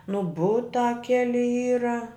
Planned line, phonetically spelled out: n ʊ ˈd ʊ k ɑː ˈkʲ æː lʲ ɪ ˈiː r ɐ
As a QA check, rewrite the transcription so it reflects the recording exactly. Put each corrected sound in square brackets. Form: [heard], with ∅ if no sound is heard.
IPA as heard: n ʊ [ˈb] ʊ [t] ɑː ˈkʲ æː lʲ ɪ ˈiː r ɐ